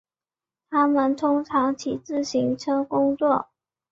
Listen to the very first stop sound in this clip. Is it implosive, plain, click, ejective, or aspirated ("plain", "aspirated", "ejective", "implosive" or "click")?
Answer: aspirated